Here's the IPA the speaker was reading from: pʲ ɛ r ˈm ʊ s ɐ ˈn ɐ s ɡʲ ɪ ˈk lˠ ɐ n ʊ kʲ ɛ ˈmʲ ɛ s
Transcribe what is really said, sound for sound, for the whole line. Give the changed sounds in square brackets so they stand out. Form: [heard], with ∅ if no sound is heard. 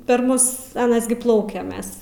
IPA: pʲ ɛ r ˈm ʊ s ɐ ˈn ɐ s ɡʲ ɪ [ˈp] lˠ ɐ [∅] ʊ kʲ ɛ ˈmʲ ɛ s